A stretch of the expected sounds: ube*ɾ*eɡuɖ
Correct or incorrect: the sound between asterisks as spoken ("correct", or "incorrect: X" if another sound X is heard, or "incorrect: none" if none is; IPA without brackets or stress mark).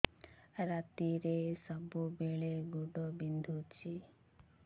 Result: incorrect: ɭ